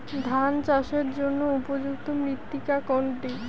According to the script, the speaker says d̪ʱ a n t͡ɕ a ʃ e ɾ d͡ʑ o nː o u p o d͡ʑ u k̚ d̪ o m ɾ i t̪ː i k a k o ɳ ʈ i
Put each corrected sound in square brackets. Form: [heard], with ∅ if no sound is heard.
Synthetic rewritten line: d̪ʱ a n t͡ɕ a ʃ e ɾ d͡ʑ o nː o u p o d͡ʑ u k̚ [t̪] o m ɾ i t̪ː i k a k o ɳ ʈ i

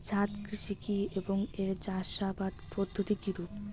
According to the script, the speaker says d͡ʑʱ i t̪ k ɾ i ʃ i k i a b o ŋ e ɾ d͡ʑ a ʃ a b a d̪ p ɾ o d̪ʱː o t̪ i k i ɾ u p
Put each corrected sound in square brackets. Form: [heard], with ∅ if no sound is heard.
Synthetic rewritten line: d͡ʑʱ [a] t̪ k ɾ i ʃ i k i [e] b o ŋ e ɾ d͡ʑ a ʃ a b a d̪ p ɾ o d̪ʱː o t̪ i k i ɾ u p

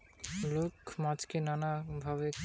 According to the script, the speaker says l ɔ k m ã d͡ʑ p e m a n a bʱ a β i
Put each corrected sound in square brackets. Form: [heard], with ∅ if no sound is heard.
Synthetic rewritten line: l [o] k m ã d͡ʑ [k] e [n] a n a bʱ a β [e]

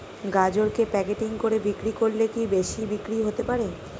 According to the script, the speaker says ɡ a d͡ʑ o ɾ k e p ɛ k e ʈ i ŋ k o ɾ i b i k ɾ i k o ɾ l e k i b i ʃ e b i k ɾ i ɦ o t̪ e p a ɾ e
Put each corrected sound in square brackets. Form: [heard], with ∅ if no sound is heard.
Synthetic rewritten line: ɡ a d͡ʑ o ɾ k e p ɛ k e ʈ i ŋ k o ɾ [e] b i k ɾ i k o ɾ l e k i b [e] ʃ [i] b i k ɾ i ɦ o t̪ e p a ɾ e

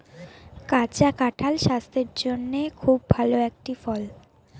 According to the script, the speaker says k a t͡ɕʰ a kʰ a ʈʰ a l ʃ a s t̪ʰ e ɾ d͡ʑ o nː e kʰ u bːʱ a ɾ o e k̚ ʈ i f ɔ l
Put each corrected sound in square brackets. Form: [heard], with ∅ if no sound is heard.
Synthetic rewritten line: k a [t͡ɕ] a [k] a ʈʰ a l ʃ a s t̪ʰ e ɾ d͡ʑ o nː e kʰ u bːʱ a [l] o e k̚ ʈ i f ɔ l

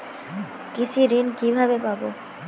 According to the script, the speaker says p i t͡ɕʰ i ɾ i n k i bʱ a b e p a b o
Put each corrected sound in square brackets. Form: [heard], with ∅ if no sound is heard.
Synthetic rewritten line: [k] i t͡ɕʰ i ɾ i n k i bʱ a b e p a b o

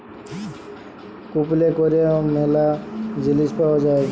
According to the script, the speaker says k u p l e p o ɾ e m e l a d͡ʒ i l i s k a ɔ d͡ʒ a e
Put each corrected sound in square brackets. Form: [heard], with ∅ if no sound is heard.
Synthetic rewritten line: k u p l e [k] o ɾ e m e l a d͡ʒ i l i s [p] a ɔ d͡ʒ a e

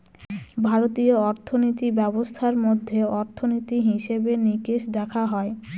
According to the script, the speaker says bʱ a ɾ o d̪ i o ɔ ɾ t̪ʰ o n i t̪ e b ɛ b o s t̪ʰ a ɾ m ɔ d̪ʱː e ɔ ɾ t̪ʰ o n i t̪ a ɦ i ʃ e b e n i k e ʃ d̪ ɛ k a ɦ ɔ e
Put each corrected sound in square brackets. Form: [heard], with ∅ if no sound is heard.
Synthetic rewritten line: bʱ a ɾ o [t̪] i o ɔ ɾ t̪ʰ o n i t̪ [i] b ɛ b o s t̪ʰ a ɾ m [o] d̪ʱː e ɔ ɾ t̪ʰ o n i t̪ [i] ɦ i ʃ e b e n i k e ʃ d̪ ɛ [kʰ] a ɦ ɔ e

